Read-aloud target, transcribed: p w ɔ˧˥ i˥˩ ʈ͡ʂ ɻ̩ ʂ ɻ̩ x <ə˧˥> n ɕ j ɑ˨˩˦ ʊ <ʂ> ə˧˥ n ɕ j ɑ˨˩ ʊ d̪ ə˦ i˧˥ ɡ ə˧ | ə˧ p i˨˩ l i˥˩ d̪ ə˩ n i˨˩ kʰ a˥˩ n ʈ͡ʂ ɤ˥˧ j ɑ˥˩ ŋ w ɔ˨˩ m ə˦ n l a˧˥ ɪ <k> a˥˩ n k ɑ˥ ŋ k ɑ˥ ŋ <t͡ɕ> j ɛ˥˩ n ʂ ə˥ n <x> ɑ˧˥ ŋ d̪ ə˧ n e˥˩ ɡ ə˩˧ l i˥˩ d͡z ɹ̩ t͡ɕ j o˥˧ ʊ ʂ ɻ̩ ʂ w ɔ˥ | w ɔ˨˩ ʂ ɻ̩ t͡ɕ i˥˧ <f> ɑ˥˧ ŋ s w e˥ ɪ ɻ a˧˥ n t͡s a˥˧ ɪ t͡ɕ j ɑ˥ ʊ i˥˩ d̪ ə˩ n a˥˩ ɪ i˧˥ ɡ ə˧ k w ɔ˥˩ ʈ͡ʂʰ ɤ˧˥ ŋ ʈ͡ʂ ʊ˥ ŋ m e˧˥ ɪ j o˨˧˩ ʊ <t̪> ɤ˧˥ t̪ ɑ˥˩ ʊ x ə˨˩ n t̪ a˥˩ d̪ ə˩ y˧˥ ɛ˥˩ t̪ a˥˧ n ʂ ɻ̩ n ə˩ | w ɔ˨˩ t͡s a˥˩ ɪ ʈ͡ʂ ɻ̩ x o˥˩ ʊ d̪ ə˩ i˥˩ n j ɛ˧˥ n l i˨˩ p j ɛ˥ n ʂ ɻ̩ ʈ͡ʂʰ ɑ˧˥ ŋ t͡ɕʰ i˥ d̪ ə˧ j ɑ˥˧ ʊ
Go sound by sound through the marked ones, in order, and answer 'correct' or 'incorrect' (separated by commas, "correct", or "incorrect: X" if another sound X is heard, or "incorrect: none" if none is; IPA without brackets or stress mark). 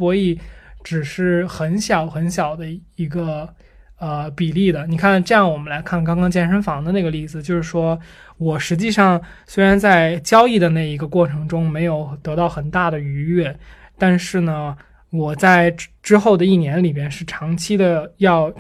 correct, incorrect: x, incorrect: kʰ, correct, incorrect: f, incorrect: ʂ, correct